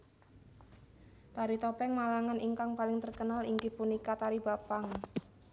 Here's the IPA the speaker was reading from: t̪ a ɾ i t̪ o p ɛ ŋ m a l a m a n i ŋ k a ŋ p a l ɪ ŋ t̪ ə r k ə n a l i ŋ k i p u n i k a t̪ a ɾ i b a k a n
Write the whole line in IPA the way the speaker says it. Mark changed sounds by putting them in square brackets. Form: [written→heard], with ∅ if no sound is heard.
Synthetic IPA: t̪ a ɾ i t̪ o p ɛ ŋ m a l a [m→ŋ] a n i ŋ k a ŋ p a l ɪ ŋ t̪ ə r k ə n a l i ŋ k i p u n i k a t̪ a ɾ i b a [k→p] a [n→ŋ]